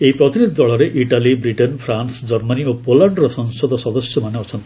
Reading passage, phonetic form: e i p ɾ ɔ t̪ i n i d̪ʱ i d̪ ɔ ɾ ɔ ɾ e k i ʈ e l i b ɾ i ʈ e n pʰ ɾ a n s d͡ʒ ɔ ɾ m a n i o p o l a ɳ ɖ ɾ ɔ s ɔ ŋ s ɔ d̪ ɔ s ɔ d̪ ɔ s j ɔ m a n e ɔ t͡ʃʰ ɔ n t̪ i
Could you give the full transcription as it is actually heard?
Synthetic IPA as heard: e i p ɾ ɔ t̪ i n i d̪ʱ i d̪ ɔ ɭ ɔ ɾ e ʔ i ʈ a l i b ɾ i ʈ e n pʰ ɾ a n s d͡ʒ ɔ ɾ m a n i o p o l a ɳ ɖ ɾ ɔ s ɔ ŋ s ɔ d̪ ɔ s ɔ d̪ ɔ s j ɔ m a n e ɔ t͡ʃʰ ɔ n t̪ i